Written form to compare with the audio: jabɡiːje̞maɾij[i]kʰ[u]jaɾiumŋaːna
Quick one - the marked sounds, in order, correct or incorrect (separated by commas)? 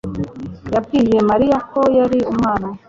incorrect, incorrect